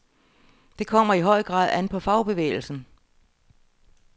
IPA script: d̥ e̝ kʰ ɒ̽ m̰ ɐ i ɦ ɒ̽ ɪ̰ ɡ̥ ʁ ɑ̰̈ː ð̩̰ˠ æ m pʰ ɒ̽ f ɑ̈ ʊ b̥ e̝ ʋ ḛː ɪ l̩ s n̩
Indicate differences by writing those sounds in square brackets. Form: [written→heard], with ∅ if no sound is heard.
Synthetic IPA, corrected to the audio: d̥ e̝ kʰ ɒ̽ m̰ ɐ i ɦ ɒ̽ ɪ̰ ɡ̥ ʁ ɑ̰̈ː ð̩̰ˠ æ [m→n] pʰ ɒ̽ f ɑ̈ ʊ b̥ e̝ ʋ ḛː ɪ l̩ s n̩